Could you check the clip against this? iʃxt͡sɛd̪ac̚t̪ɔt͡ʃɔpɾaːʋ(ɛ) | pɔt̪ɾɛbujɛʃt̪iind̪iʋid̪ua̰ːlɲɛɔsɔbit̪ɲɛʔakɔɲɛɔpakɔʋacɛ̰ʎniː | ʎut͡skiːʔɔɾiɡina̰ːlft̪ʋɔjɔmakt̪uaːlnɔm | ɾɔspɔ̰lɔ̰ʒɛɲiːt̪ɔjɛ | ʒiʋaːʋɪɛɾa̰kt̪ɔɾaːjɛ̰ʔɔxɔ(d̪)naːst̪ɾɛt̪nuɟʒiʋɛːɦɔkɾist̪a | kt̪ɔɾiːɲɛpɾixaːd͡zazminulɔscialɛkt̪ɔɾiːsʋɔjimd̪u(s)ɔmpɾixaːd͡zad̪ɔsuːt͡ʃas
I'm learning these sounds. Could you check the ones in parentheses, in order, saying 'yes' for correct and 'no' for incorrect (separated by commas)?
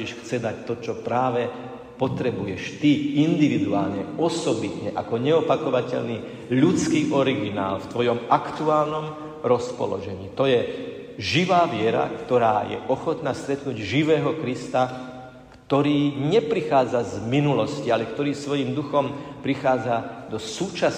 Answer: yes, no, no